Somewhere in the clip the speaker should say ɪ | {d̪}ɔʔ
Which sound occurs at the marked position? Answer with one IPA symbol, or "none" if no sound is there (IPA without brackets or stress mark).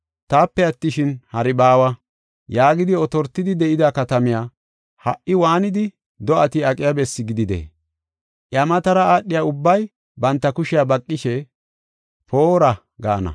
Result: d̪